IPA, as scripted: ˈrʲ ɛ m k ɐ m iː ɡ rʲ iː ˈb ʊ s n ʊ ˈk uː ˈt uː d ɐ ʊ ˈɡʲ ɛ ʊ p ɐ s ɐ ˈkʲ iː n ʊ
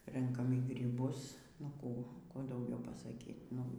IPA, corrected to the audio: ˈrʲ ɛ ŋ k ɐ m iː ɡ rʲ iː ˈb ʊ s n ʊ ˈk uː ˈk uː d ɐ ʊ ˈɡʲ ɛ ʊ p ɐ s ɐ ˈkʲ iː n ʊ